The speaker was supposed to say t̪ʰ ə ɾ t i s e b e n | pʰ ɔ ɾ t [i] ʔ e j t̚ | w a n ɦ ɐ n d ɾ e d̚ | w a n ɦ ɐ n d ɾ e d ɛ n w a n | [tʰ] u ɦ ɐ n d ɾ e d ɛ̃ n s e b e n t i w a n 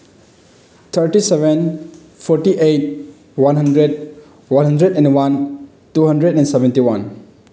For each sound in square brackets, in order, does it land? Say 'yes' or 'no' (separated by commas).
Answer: yes, no